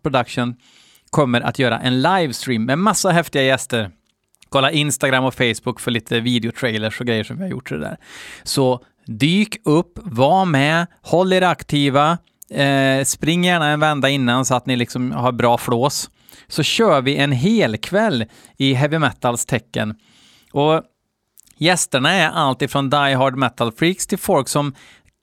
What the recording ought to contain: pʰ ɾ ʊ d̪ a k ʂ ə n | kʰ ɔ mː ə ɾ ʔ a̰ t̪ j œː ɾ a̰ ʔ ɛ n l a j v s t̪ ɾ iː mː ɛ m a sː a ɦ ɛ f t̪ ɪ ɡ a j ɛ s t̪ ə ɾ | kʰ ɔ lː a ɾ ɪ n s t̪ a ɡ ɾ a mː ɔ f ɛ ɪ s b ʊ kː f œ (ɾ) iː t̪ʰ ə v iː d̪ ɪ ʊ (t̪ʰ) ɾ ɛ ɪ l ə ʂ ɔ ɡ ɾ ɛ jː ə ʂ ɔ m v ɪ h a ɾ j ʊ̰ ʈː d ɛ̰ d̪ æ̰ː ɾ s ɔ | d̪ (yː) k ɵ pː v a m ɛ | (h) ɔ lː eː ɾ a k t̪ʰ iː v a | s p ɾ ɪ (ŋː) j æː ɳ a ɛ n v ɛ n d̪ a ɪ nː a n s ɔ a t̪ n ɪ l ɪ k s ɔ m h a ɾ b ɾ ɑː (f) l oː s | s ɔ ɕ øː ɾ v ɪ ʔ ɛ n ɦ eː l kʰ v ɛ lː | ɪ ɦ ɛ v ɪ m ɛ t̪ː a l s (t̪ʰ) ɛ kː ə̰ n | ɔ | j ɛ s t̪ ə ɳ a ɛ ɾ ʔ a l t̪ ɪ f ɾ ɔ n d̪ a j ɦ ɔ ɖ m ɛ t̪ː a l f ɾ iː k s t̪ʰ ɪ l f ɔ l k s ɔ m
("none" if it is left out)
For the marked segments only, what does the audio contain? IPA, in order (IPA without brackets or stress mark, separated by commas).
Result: ɭ, t̪ʰ, yː, h, ŋː, f, t̪ʰ